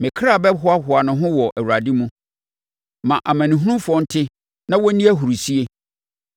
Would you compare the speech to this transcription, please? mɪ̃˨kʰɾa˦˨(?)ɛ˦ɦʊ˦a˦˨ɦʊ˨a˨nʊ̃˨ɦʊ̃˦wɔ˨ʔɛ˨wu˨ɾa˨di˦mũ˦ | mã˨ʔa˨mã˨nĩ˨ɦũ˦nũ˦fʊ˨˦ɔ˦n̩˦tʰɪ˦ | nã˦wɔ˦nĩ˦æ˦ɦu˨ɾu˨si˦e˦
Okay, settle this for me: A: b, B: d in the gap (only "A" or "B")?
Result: A